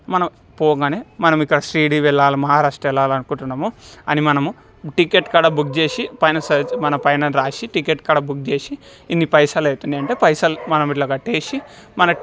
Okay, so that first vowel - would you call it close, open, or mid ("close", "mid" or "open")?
open